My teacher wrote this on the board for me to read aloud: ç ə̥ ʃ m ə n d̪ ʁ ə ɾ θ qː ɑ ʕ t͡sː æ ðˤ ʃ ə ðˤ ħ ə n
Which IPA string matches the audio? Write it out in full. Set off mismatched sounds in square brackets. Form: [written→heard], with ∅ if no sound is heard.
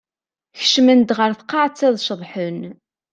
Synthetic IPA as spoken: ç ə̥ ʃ m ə n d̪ ʁ ə ɾ θ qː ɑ ʕ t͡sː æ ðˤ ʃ ə ðˤ ħ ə n